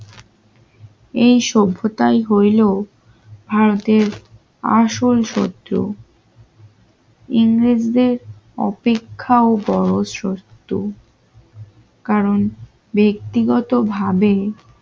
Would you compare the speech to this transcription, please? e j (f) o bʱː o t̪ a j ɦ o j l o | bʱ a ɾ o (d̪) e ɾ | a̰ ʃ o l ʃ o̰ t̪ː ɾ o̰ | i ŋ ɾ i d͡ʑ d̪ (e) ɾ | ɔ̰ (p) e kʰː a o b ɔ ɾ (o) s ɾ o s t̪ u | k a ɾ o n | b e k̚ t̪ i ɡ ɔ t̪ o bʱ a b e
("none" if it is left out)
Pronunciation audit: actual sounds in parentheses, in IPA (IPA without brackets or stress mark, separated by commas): ʃ, t̪, e, p, o